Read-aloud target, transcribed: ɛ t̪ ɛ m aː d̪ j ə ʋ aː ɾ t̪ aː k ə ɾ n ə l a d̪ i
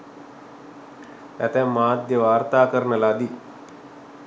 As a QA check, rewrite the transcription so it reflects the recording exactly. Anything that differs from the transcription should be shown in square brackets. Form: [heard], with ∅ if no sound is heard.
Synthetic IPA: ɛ t̪ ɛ m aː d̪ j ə ʋ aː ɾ t̪ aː k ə ɾ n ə l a d̪ i